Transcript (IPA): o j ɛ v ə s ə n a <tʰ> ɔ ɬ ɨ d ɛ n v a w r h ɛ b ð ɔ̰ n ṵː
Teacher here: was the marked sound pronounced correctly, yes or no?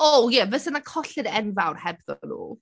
no